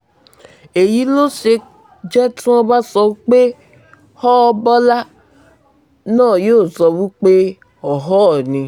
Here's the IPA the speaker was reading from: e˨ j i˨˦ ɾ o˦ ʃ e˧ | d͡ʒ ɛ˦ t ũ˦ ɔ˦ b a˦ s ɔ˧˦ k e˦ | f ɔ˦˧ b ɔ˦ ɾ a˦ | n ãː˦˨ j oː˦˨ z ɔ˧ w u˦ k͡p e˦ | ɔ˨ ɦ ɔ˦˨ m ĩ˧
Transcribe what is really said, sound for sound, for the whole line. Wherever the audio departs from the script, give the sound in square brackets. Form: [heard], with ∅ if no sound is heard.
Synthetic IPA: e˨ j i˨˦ [l] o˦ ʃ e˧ | d͡ʒ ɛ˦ t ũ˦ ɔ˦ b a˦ s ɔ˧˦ [k͡p] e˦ | [h] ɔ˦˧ b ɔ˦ [l] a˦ | n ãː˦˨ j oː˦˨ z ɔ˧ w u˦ k͡p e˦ | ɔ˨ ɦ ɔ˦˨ [n] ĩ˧